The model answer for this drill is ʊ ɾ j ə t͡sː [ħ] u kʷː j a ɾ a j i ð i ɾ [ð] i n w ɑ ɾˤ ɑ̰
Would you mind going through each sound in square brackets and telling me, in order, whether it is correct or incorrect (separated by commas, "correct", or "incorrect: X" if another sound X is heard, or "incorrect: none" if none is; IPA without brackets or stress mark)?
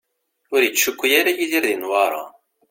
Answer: incorrect: ʃ, correct